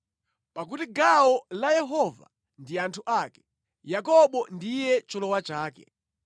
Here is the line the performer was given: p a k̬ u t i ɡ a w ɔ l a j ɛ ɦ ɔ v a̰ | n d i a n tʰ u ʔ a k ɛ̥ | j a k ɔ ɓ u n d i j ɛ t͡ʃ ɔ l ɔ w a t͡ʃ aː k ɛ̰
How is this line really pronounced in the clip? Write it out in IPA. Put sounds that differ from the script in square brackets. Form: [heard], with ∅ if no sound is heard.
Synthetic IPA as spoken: p a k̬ u t i ɡ a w ɔ l a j ɛ ɦ ɔ v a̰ | n d i a n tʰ u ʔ a k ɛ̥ | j a k ɔ ɓ [ɔ] n d i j ɛ t͡ʃ ɔ l ɔ w a t͡ʃ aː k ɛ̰